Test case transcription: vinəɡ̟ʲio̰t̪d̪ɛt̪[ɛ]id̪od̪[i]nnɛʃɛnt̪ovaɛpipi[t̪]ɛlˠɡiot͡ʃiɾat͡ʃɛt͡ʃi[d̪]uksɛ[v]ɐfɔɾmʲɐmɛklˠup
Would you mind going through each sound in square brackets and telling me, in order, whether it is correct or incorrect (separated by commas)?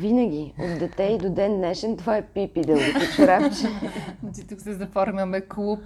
correct, incorrect, incorrect, incorrect, incorrect